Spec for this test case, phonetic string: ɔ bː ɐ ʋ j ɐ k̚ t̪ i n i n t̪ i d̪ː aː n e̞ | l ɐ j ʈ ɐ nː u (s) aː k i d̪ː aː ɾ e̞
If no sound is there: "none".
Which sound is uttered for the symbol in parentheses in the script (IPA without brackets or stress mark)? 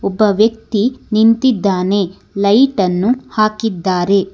h